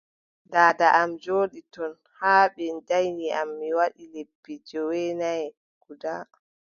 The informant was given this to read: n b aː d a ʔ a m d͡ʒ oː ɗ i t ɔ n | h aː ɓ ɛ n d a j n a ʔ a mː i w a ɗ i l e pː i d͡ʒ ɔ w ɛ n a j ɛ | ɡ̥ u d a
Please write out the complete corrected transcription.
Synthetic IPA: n d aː d a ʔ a m d͡ʒ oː ɗ i t ɔ n | h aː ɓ ɛ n d a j n i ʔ a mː i w a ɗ i l e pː i d͡ʒ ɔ w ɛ n a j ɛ | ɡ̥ u d a